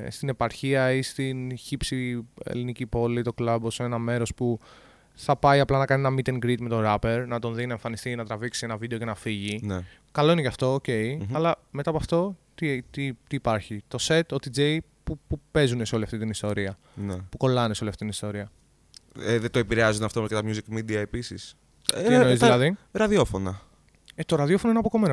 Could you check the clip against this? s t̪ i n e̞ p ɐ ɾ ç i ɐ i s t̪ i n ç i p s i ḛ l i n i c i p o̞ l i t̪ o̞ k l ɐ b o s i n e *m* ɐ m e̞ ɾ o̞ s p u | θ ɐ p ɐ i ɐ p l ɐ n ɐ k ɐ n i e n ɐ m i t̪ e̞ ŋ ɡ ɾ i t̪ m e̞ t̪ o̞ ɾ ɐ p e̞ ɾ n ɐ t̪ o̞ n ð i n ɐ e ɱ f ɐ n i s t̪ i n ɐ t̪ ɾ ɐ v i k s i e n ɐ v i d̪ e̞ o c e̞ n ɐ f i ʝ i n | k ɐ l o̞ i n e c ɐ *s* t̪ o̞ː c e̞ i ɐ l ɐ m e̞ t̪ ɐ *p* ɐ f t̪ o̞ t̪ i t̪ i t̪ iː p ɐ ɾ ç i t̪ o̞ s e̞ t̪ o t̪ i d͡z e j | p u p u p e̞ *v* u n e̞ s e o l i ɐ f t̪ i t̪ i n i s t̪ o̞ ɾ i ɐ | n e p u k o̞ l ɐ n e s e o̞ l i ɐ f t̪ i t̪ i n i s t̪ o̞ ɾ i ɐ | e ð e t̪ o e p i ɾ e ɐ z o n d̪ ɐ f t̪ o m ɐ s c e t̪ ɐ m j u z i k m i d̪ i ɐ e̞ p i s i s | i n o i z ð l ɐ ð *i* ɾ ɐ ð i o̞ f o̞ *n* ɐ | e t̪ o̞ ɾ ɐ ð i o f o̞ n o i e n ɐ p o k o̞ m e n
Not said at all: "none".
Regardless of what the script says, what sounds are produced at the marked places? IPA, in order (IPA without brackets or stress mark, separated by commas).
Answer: n, f, p, z, i, n